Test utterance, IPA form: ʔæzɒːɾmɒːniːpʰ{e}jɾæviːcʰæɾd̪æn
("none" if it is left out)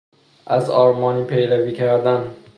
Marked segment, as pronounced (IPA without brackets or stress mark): e